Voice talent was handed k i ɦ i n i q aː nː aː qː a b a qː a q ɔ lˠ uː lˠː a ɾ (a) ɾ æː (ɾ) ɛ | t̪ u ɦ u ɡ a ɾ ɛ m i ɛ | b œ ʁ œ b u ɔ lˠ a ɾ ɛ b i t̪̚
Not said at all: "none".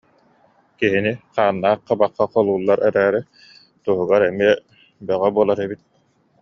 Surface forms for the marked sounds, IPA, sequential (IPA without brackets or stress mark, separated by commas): ɛ, ɾ